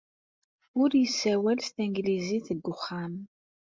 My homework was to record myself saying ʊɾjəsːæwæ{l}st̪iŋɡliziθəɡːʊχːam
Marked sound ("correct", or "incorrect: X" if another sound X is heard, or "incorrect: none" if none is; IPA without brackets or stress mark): correct